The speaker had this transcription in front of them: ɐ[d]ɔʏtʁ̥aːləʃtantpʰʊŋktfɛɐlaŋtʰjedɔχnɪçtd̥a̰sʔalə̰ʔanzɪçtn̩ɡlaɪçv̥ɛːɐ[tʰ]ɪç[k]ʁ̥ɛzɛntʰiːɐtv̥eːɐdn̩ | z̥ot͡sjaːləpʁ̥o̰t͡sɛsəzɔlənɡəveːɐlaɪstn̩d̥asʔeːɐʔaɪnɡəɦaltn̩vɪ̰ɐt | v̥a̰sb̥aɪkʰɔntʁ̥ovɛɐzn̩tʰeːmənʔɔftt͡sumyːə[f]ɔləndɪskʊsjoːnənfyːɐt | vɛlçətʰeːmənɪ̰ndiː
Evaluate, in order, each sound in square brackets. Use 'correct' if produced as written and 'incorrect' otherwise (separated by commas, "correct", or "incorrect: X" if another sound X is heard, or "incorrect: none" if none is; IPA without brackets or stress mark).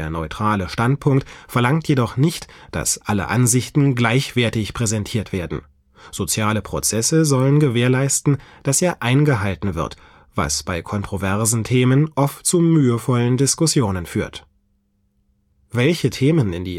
incorrect: n, incorrect: t, incorrect: p, correct